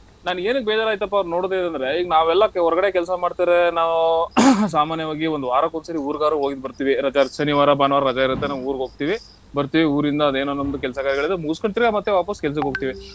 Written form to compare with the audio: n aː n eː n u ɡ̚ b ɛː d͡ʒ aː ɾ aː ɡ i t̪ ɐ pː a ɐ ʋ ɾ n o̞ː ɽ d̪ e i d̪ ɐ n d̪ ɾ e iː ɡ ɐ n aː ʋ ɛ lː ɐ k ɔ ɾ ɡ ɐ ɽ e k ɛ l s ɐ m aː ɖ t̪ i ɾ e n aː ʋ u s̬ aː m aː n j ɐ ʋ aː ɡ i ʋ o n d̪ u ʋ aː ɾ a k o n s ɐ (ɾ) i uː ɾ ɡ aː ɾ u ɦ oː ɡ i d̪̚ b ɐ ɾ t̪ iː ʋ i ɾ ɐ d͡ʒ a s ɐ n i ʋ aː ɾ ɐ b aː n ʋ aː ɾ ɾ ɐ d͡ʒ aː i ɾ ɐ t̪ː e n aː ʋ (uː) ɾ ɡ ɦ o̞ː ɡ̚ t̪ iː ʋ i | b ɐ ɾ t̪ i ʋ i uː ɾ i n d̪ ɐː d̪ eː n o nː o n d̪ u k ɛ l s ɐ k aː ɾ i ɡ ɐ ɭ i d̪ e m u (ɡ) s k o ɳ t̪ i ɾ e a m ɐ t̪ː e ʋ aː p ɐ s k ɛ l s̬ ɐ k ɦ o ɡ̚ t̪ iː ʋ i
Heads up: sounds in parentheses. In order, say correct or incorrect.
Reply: correct, correct, correct

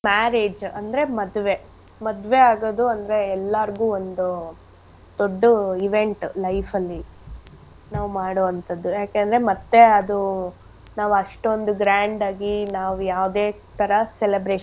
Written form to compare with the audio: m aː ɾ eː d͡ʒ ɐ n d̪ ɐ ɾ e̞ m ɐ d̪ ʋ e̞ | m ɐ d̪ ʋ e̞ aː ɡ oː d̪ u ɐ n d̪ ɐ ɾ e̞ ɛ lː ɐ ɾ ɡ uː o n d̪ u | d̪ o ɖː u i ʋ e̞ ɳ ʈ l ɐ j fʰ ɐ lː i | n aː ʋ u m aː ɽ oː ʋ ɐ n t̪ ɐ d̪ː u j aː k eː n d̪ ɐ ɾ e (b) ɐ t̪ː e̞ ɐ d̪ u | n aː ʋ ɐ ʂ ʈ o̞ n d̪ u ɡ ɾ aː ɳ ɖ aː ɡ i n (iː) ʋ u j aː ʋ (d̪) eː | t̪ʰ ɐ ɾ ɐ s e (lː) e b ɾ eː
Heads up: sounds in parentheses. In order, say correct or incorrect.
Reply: incorrect, incorrect, correct, incorrect

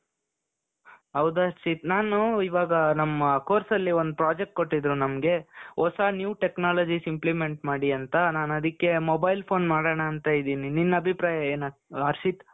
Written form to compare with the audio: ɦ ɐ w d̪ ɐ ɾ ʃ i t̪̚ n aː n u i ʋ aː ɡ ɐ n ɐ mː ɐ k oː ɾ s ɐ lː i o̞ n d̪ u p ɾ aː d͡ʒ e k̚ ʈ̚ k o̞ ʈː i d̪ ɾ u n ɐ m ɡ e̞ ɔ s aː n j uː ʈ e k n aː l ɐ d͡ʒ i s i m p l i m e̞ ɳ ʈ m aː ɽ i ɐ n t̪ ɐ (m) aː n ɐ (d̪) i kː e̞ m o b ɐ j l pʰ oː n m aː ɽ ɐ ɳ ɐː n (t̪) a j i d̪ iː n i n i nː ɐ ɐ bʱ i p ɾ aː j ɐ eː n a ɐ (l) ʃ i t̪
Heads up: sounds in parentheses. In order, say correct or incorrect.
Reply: incorrect, correct, correct, incorrect

